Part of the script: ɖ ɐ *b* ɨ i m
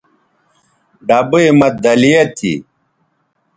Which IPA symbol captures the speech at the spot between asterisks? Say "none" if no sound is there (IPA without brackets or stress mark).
b